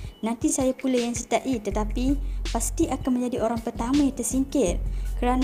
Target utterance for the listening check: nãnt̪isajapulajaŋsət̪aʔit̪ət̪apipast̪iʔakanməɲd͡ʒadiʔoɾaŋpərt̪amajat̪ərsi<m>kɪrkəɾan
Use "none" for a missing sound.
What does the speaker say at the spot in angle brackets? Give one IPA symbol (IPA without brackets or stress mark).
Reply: ŋ